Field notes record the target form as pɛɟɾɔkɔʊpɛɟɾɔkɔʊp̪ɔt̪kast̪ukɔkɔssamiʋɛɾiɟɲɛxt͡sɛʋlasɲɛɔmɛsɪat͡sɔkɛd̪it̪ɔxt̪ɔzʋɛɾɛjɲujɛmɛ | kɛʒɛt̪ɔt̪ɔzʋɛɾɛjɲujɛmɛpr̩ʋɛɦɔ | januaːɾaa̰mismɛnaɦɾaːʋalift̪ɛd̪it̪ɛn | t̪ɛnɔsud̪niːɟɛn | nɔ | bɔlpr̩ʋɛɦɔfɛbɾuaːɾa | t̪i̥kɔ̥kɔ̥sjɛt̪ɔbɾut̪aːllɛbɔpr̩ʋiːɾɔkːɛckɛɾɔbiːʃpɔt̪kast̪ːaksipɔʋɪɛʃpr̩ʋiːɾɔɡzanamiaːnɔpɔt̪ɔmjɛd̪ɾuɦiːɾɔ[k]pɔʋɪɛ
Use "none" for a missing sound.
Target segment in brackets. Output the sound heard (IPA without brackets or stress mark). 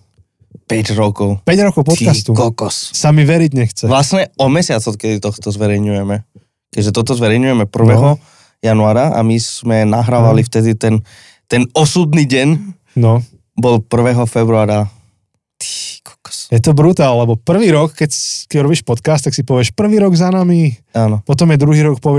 k